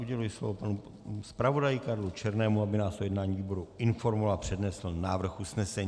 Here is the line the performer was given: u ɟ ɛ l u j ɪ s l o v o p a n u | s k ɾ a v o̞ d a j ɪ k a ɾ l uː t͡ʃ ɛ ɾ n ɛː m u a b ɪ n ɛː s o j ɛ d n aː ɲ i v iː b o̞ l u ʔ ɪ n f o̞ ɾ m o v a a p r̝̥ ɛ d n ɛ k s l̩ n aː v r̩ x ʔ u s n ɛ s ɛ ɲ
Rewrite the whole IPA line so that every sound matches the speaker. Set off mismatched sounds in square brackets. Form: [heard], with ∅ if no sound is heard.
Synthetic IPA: u ɟ ɛ l u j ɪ s l o v o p a n u | s [p] ɾ a v o̞ d a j ɪ k a ɾ l [u] t͡ʃ ɛ ɾ n ɛː m u a b ɪ n [aː] s o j ɛ d n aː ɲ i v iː b o̞ [ɾ] u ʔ ɪ n f o̞ ɾ m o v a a p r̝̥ ɛ d n ɛ [∅] s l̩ n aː v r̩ x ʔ u s n ɛ s ɛ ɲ